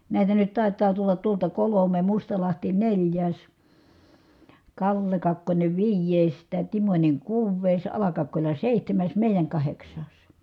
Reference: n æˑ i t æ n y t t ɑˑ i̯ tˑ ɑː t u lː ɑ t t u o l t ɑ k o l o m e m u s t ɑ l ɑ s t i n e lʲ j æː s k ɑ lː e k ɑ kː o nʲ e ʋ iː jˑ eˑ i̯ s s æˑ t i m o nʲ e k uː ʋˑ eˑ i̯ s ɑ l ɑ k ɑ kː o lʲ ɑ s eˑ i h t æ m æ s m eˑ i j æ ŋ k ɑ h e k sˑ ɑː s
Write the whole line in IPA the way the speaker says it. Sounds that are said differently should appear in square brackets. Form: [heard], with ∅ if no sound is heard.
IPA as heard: n æˑ i t æ n y t t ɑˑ i̯ tˑ ɑː t u lː ɑ t t u o l t ɑ k o l o m e m u s t ɑ l ɑ [h] t i n e lʲ j æː s k ɑ lː e k ɑ kː o nʲ e ʋ iː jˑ eˑ i̯ s [t] æˑ t i m o nʲ e k uː ʋˑ eˑ i̯ s ɑ l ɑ k ɑ kː o lʲ ɑ s eˑ i h t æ m æ s m eˑ i j æ ŋ k ɑ h e k sˑ ɑː s